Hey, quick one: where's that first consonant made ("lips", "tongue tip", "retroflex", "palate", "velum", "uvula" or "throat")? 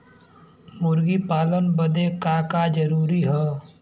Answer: lips